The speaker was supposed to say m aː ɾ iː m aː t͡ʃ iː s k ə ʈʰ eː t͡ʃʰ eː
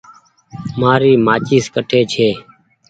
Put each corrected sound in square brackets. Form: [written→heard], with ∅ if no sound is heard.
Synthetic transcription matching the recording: m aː ɾ iː m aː t͡ʃ iː s k ə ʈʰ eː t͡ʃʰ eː